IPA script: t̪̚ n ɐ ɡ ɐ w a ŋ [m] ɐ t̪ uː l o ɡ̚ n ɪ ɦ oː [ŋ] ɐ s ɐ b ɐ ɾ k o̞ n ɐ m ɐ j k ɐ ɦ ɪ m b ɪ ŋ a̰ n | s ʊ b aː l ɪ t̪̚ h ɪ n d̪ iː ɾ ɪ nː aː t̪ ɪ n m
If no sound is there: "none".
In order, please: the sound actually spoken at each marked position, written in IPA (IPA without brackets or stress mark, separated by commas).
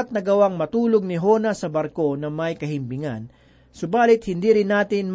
m, n